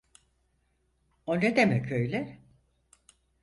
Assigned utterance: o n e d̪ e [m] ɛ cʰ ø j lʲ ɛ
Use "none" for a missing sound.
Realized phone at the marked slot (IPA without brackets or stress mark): m